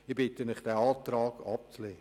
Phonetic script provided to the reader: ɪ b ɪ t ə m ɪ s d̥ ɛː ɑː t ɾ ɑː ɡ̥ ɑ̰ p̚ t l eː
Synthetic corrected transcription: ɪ b ɪ t ə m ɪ χ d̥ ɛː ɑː t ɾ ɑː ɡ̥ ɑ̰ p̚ t͡s l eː